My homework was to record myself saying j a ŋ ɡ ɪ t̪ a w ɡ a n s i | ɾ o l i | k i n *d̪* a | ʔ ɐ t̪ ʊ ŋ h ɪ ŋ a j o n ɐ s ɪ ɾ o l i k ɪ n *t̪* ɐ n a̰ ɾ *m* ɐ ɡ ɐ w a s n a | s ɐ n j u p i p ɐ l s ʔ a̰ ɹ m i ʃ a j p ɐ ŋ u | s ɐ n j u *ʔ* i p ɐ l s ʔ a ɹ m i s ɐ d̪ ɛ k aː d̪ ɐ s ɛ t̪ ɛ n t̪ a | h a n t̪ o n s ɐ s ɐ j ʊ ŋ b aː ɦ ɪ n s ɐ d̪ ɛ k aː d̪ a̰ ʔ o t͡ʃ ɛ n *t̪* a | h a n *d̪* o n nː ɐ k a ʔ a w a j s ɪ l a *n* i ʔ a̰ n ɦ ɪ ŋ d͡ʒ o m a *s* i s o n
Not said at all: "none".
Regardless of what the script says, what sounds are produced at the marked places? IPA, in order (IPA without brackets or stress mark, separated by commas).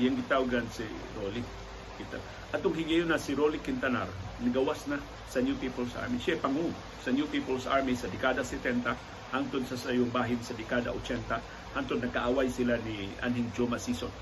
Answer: t̪, t̪, n, p, t̪, t̪, n, s